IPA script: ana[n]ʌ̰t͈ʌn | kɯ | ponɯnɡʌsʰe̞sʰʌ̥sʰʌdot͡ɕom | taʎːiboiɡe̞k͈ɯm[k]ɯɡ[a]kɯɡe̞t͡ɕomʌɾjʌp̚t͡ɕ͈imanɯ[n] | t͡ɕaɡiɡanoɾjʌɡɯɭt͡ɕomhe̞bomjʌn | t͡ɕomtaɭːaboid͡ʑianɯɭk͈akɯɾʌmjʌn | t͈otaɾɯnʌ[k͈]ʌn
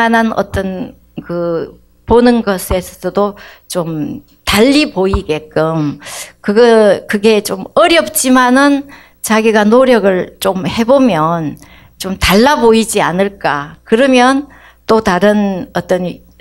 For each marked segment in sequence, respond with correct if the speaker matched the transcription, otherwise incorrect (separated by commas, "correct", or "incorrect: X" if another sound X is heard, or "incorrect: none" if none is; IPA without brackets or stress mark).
correct, correct, incorrect: ʌ, correct, incorrect: t͈